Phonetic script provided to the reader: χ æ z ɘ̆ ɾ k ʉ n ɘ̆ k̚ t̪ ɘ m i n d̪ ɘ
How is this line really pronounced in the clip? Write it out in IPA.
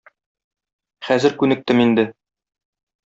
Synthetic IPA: χ æ z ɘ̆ ɾ k ʉ n ɘ̆ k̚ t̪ ɘ m i n d̪ ɘ